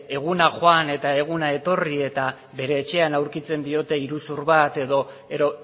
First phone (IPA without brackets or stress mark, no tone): e̞